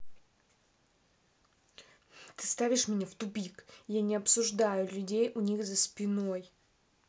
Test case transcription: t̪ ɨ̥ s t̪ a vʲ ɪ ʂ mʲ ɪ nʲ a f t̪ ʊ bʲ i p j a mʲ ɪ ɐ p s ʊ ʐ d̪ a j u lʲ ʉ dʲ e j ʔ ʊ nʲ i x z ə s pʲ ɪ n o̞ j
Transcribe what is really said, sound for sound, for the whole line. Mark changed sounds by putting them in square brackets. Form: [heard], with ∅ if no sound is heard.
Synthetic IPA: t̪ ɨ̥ s t̪ a vʲ ɪ ʂ mʲ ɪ nʲ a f t̪ ʊ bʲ i [k] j a [nʲ] ɪ ɐ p s ʊ ʐ d̪ a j [ʊ] lʲ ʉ dʲ e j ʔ ʊ nʲ i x z ə s pʲ ɪ n o̞ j